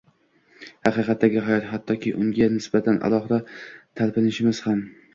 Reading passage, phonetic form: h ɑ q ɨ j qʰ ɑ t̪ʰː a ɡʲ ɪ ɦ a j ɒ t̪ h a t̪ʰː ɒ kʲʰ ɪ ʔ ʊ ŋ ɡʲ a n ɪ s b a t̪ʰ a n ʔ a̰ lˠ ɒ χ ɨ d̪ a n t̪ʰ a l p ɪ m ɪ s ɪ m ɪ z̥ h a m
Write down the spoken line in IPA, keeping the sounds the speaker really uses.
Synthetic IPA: h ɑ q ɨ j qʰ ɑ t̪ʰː a ɡʲ ɪ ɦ a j ɒ t̪ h a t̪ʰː ɒ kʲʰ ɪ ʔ ʊ ŋ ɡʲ a n ɪ s b a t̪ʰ a n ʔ a̰ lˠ ɒ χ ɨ d̪ a t̪ʰ a l p ɪ n ɪ ʃ ɪ m ɪ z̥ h a m